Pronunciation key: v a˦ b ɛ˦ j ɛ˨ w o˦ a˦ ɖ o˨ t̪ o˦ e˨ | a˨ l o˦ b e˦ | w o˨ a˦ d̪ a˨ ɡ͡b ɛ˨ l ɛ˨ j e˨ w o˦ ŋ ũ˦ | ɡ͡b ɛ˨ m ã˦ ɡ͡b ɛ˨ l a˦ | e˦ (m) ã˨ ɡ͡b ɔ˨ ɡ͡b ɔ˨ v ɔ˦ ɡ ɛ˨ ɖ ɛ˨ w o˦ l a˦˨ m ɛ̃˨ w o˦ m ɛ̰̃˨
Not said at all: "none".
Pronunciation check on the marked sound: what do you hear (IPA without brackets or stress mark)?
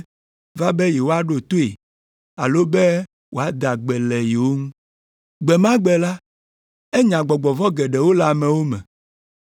ɲ